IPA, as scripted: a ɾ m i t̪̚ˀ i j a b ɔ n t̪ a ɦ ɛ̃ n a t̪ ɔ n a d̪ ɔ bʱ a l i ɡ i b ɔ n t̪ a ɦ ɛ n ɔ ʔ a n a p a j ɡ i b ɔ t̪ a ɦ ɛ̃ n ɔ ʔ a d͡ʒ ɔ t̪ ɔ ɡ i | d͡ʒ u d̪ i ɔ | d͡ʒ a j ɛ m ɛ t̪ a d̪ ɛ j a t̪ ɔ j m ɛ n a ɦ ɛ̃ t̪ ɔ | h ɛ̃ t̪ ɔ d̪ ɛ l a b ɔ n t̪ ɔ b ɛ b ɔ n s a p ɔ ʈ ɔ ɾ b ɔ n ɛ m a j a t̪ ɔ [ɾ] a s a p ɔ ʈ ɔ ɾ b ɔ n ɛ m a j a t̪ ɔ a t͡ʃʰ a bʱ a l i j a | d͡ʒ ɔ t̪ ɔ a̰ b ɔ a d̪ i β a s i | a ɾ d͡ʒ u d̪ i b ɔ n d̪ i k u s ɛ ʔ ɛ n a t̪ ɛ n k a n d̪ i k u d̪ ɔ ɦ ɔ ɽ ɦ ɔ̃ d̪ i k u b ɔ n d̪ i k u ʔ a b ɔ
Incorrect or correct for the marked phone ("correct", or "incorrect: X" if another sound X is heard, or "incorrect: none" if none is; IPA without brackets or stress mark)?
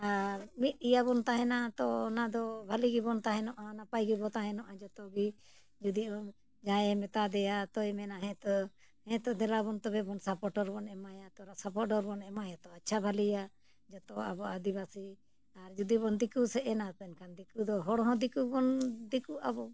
correct